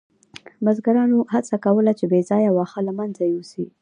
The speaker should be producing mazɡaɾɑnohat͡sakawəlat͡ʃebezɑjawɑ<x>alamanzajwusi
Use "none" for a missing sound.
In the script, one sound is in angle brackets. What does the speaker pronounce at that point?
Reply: x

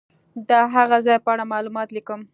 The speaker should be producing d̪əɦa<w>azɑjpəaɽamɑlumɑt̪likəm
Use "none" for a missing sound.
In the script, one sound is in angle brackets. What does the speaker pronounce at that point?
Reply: ɣ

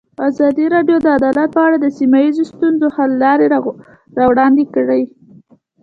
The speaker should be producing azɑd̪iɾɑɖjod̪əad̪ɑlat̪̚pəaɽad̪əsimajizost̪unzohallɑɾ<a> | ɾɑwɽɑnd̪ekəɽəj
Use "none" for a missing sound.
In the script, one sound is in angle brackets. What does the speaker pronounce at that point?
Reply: e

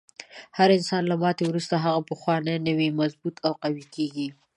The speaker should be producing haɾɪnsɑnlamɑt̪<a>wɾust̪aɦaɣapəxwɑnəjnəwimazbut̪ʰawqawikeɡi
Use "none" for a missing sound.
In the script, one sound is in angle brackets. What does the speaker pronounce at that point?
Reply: e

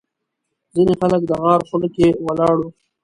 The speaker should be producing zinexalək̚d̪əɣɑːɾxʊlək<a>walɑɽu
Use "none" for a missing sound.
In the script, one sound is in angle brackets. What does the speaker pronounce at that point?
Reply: e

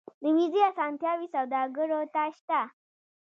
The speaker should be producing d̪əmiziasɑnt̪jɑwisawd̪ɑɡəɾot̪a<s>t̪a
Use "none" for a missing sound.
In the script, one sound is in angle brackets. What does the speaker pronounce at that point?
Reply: ʃ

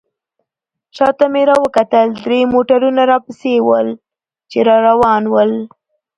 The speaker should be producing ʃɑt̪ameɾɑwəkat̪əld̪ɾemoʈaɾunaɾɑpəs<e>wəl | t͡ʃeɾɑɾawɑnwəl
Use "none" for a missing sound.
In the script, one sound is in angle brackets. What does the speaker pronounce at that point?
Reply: e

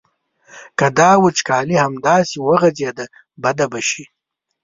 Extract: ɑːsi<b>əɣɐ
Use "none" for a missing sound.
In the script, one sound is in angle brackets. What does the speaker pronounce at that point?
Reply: w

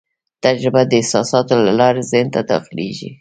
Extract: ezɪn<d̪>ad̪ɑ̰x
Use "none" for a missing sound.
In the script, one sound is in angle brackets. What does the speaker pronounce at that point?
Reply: t̪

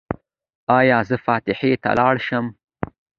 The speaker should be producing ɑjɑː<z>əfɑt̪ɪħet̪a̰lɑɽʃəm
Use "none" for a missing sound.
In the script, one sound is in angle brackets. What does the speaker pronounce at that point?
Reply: z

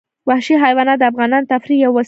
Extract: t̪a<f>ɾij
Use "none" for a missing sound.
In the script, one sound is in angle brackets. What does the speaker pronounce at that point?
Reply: f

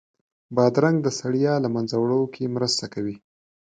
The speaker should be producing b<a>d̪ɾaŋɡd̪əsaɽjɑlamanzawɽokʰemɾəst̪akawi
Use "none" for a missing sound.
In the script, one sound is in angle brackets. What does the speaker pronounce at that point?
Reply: ɑ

